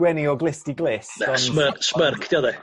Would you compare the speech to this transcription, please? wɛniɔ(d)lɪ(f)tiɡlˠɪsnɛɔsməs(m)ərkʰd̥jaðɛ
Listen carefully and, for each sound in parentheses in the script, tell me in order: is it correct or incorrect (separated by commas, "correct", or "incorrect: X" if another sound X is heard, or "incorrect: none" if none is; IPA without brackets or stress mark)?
incorrect: ɡ, incorrect: s, correct